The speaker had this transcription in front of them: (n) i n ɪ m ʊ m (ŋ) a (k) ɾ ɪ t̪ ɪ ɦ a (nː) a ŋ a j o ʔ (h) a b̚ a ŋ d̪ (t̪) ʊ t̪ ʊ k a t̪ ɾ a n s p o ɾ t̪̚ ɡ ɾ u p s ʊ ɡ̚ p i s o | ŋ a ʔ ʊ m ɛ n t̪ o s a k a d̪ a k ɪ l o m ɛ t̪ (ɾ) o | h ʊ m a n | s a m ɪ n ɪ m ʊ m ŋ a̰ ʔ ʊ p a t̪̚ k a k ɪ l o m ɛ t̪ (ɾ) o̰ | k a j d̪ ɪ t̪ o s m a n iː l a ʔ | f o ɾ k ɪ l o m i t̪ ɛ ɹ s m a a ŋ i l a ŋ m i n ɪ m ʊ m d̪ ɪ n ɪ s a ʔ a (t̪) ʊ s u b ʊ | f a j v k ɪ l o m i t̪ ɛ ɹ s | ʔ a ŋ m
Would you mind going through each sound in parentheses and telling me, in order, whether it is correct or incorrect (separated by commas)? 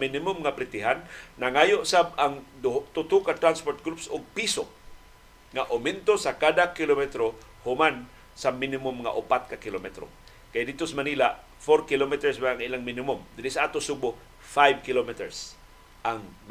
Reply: incorrect, correct, incorrect, correct, incorrect, correct, correct, correct, correct